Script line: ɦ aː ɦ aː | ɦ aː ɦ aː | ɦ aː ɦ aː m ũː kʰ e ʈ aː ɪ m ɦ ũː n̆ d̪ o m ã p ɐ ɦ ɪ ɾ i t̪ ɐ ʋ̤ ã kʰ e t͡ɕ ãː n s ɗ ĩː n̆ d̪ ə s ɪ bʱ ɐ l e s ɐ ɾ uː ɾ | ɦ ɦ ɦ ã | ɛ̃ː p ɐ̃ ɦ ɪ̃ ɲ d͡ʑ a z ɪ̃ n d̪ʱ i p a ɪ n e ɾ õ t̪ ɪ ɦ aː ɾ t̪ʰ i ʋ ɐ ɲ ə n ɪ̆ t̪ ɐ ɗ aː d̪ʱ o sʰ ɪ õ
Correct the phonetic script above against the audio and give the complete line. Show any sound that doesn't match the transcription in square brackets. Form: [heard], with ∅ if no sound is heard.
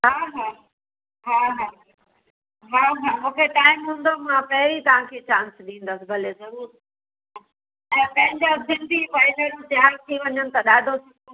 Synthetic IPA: ɦ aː ɦ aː | ɦ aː ɦ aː | ɦ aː ɦ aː m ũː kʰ e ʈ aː ɪ m ɦ ũː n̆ d̪ o m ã p ɐ ɦ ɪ ɾ i t̪ ɐ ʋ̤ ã kʰ e t͡ɕ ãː n s ɗ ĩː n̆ d̪ ə s ɪ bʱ ɐ l e [z] ɐ ɾ uː ɾ | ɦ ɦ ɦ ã | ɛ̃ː p ɐ̃ ɦ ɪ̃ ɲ d͡ʑ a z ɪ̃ n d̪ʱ i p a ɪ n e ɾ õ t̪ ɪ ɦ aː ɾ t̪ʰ i ʋ ɐ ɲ ə n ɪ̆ t̪ ɐ ɗ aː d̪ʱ o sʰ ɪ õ

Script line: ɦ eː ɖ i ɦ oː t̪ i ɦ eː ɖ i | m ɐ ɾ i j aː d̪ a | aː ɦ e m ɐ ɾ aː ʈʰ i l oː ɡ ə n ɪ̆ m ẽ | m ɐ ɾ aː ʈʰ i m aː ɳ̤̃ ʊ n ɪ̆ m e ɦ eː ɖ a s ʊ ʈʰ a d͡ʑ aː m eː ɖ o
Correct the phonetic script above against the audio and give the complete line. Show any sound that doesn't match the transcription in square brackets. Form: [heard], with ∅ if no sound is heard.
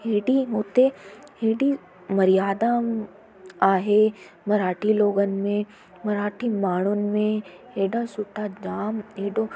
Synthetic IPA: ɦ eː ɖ i ɦ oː t̪ [e] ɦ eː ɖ i | m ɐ ɾ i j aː d̪ a | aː ɦ e m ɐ ɾ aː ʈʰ i l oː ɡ ə n ɪ̆ m ẽ | m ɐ ɾ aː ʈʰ i m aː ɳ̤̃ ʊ n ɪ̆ m [ẽ] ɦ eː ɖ a s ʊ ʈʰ a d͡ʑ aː m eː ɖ o

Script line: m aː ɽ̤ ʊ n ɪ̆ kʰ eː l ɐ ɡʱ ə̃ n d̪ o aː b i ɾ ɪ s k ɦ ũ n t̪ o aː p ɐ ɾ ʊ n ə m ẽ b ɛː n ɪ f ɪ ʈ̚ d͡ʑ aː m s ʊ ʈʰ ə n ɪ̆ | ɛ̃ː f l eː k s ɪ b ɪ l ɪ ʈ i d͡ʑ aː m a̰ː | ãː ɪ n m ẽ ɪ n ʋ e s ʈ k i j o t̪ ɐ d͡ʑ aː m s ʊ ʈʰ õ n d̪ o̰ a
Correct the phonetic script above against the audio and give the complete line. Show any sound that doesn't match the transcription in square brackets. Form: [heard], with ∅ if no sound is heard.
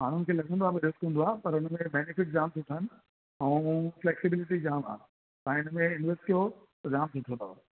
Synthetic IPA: m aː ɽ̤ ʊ n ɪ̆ kʰ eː l ɐ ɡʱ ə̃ n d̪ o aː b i ɾ ɪ s k ɦ ũ n [d̪] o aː p ɐ ɾ ʊ n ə m ẽ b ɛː n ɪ f ɪ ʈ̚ d͡ʑ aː m s ʊ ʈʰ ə n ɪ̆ | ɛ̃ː f l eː k s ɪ b ɪ l ɪ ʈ i d͡ʑ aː m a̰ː | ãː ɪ n m ẽ ɪ n ʋ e s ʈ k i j o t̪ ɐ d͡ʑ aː m s ʊ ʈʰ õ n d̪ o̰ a

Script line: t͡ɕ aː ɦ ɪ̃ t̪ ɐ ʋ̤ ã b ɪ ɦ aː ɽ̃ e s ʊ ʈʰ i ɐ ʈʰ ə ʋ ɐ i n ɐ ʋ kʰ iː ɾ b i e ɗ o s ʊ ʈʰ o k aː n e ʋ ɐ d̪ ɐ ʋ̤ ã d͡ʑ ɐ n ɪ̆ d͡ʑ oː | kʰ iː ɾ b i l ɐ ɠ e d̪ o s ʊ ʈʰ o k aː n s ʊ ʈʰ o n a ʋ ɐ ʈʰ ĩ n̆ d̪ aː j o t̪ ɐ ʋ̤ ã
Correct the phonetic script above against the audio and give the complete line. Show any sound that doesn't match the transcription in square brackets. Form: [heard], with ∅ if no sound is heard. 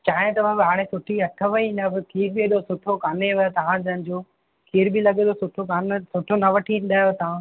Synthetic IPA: t͡ɕ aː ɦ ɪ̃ t̪ ɐ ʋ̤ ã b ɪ ɦ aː ɽ̃ e s ʊ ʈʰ i ɐ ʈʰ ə ʋ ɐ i n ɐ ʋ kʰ iː ɾ b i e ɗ o s ʊ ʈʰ o k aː n e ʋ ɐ [t̪] ɐ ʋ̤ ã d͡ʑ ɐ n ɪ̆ d͡ʑ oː | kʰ iː ɾ b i l ɐ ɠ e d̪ o s ʊ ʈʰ o k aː n s ʊ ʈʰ o n [ɐ] ʋ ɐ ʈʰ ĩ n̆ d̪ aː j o t̪ ɐ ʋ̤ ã

